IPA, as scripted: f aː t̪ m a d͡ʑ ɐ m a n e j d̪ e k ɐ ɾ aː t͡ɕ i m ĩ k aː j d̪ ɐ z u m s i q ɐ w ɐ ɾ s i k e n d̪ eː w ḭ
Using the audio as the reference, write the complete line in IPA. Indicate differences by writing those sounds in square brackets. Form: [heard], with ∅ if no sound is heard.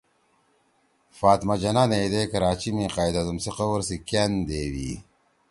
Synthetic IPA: f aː t̪ m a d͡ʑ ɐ [n] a n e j d̪ e k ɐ ɾ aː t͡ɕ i m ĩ [q] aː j d̪ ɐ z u m s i q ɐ w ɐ ɾ s i k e n d̪ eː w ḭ